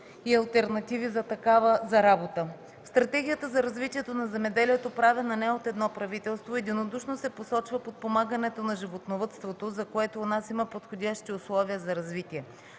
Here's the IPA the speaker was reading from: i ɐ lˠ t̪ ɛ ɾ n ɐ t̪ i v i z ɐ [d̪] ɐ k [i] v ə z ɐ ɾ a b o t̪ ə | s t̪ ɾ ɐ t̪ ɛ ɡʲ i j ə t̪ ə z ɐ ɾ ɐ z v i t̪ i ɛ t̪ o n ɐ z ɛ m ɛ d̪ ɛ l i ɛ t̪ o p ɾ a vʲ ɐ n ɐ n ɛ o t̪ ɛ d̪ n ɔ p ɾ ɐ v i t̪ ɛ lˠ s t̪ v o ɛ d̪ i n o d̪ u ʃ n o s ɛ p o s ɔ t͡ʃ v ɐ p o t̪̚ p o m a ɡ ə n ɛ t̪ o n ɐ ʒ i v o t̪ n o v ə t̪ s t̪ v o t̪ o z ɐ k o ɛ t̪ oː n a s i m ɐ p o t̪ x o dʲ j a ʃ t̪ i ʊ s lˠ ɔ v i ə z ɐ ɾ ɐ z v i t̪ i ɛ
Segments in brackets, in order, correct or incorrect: incorrect: t̪, incorrect: a

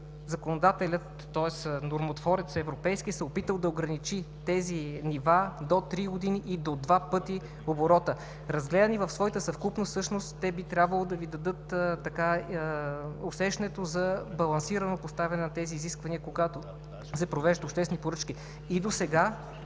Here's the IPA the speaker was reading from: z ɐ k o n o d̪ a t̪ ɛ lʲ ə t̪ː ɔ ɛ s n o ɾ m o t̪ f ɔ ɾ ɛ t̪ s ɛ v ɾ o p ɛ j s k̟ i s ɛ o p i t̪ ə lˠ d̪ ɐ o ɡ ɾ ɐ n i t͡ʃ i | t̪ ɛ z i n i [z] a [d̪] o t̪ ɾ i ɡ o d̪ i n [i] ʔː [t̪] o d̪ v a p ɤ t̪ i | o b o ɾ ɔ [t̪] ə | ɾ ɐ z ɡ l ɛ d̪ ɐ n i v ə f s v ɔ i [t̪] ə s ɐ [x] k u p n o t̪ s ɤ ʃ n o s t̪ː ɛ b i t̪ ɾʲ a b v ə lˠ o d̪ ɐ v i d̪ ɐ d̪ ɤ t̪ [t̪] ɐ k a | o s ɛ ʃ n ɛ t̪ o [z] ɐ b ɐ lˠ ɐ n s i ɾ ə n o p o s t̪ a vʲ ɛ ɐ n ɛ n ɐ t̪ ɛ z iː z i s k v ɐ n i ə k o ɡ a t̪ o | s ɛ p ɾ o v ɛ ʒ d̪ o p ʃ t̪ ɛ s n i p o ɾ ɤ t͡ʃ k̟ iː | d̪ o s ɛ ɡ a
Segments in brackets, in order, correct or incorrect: incorrect: v, correct, correct, incorrect: d̪, correct, correct, incorrect: f, correct, correct

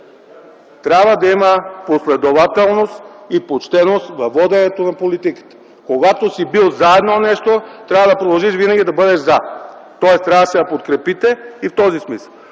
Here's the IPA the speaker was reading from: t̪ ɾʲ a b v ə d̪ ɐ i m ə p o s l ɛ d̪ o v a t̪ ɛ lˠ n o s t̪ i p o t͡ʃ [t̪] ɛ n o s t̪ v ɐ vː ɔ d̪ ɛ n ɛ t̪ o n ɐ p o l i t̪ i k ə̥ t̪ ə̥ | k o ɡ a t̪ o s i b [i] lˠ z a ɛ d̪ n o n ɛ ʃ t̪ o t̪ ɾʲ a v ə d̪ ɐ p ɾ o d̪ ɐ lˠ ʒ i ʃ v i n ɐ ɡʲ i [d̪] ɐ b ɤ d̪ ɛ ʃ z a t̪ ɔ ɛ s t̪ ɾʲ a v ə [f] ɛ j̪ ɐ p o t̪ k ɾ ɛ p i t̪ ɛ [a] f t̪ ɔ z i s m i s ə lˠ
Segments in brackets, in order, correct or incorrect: correct, correct, correct, incorrect: s, incorrect: i

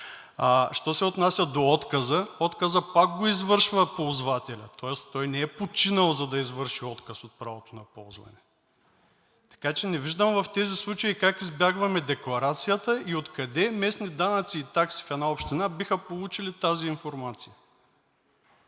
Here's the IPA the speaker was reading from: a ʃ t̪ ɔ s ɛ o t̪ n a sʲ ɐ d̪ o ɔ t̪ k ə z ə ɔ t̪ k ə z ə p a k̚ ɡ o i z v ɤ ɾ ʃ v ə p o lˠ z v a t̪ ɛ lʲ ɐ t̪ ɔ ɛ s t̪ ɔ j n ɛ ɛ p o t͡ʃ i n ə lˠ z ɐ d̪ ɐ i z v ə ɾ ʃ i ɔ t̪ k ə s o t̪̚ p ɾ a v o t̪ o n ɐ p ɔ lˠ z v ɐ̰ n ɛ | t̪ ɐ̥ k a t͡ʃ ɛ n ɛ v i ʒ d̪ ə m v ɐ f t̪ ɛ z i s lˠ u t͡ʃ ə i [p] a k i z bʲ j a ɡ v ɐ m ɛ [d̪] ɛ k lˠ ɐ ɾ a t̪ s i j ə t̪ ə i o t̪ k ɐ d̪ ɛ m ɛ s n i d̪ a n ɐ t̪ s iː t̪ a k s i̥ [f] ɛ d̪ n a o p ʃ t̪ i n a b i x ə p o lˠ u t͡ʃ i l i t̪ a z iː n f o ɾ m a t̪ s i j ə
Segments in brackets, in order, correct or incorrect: incorrect: k, correct, correct

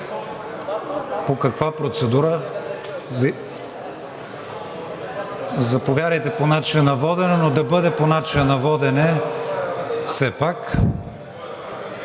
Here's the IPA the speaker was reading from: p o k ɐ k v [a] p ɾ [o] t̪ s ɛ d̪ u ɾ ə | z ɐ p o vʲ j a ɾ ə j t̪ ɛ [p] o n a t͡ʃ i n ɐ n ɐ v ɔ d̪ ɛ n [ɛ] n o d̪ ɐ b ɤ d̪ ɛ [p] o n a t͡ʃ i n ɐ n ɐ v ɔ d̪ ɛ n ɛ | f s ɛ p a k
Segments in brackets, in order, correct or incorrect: correct, correct, correct, correct, correct

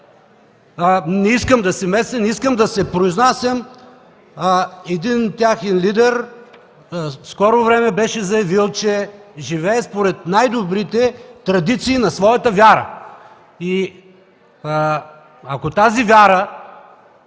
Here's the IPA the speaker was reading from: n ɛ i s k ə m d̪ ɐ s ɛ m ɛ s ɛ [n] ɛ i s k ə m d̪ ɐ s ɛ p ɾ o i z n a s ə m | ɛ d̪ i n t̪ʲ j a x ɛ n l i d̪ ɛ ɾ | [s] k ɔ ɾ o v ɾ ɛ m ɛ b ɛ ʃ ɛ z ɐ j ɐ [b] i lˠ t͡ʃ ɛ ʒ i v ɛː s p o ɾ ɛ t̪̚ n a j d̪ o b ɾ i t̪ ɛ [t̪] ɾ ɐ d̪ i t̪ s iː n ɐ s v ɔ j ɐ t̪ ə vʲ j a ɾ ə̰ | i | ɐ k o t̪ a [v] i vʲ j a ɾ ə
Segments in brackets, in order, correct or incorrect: correct, correct, incorrect: v, correct, incorrect: z

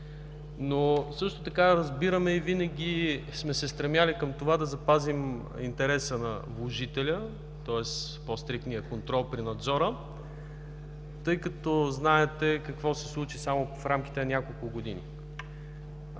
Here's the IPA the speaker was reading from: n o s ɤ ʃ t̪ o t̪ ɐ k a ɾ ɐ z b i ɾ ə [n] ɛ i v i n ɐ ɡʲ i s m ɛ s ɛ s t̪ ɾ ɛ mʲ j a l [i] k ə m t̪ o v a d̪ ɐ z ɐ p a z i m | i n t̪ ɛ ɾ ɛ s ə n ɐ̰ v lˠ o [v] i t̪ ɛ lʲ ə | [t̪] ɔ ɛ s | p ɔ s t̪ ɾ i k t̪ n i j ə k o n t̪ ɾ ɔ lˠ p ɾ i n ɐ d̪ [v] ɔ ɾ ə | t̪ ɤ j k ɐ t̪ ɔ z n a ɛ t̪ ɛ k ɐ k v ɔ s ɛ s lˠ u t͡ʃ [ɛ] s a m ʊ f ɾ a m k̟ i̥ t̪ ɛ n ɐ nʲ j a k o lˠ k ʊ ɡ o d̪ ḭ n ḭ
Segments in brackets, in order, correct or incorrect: incorrect: m, correct, incorrect: ʒ, correct, incorrect: z, incorrect: i

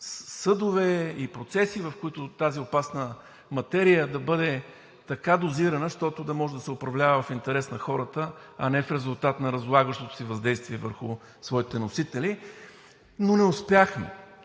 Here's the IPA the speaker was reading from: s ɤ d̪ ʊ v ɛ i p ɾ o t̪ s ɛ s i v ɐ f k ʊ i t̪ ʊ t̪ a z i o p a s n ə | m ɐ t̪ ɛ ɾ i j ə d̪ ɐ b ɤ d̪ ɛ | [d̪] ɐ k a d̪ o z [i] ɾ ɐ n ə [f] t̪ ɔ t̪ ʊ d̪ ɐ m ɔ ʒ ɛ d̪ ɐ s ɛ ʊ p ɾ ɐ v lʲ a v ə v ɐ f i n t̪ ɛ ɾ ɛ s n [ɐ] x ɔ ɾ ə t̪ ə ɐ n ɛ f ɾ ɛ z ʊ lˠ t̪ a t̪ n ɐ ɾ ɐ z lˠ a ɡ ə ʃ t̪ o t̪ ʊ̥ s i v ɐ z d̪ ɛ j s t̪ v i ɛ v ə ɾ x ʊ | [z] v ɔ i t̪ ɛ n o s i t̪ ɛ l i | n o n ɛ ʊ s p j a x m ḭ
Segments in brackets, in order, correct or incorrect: incorrect: t̪, correct, incorrect: ʃ, correct, incorrect: s

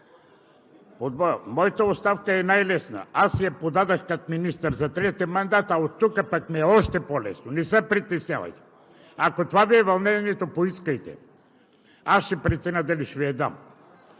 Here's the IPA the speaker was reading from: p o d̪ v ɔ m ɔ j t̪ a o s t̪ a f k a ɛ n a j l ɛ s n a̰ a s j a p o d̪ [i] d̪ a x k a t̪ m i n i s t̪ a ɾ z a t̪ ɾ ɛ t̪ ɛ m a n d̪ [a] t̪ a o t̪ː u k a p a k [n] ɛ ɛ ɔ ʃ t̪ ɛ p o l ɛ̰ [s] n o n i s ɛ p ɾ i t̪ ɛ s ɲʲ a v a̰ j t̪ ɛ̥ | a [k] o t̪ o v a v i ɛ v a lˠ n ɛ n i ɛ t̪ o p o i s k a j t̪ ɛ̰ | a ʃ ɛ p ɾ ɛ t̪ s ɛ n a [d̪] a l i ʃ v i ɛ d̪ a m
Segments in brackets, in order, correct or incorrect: incorrect: a, correct, incorrect: m, correct, correct, correct

